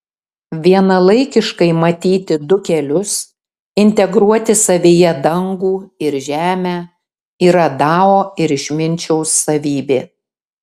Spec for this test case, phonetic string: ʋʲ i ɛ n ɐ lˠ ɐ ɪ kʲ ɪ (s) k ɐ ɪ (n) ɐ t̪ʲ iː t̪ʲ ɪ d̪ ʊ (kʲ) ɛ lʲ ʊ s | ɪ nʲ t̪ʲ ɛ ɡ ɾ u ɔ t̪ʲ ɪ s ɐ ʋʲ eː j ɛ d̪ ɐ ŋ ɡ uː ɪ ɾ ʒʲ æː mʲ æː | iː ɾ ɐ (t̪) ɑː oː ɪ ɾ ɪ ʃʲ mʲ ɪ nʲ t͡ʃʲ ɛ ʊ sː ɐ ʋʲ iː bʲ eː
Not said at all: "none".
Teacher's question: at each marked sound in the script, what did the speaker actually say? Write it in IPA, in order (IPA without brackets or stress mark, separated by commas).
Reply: ʃ, m, kʲ, d̪